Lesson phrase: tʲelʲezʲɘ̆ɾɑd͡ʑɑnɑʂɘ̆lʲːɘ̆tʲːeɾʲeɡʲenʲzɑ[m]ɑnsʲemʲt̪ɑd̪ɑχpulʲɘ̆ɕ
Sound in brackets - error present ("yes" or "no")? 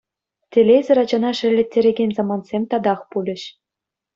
no